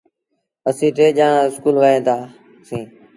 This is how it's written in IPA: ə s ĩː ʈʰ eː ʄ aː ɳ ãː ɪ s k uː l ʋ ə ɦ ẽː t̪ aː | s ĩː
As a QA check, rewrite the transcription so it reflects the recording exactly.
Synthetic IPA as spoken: ə s ĩː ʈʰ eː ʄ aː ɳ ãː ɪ s k uː l ʋ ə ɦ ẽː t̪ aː | s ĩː